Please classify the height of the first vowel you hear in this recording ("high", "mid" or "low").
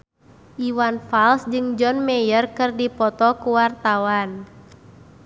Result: high